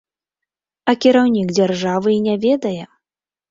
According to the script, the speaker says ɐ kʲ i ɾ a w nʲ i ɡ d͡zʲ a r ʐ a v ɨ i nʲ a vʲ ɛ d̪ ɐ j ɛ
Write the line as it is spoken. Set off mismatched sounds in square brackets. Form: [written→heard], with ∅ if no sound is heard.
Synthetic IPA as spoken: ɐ kʲ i ɾ a w nʲ i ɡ d͡zʲ a r ʐ a v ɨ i nʲ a vʲ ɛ d̪ ɐ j ɛ